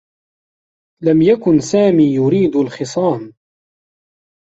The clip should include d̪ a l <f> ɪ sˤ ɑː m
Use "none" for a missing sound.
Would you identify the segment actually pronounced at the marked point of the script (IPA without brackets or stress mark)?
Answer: x